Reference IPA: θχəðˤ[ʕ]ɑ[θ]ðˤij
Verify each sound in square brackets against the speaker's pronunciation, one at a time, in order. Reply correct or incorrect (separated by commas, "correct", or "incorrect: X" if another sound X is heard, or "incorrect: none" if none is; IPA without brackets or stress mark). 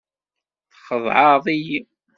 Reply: correct, incorrect: none